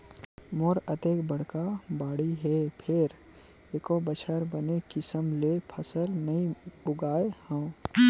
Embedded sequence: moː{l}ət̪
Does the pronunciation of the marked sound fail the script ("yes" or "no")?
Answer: yes